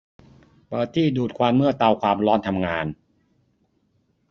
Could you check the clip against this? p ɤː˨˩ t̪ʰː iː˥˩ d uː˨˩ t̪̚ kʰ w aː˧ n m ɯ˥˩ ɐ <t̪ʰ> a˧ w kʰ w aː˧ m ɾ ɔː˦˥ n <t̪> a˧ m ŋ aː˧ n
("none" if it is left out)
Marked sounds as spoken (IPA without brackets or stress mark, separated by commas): t̪, t̪ʰ